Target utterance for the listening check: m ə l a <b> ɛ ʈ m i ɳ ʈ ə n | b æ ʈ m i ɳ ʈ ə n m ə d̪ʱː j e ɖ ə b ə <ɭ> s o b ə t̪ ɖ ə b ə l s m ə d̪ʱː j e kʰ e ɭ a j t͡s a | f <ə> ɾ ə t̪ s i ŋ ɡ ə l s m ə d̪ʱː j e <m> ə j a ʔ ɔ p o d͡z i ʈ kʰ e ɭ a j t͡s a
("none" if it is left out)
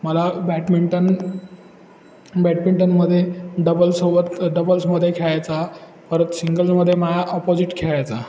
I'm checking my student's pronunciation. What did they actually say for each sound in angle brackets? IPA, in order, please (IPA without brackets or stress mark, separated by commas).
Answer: b, l, ə, m